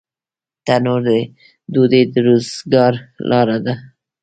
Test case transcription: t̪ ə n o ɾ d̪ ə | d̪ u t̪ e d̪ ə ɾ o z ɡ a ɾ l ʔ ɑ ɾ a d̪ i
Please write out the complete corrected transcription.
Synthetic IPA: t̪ a n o ɾ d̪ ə | d̪ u d̪ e d̪ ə ɾ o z ɡ ɑ ɾ l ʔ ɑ ɾ a d̪ a